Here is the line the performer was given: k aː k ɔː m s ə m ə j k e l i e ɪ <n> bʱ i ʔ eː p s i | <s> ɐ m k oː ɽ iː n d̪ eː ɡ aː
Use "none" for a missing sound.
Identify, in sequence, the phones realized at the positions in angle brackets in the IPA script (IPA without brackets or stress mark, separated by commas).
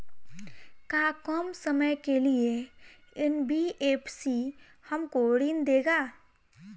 n, h